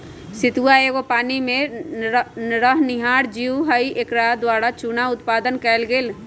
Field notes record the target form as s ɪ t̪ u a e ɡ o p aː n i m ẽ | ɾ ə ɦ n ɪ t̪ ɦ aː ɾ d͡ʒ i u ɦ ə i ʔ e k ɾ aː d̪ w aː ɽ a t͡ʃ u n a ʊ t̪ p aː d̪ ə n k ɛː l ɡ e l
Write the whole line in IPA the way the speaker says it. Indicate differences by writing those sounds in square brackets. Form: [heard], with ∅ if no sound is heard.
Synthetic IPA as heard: s ɪ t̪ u a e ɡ o p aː n i m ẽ | ɾ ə ɦ n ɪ [∅] ɦ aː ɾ d͡ʒ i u ɦ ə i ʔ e k ɾ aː d̪ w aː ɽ a t͡ʃ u n a ʊ t̪ p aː d̪ ə n k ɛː l ɡ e l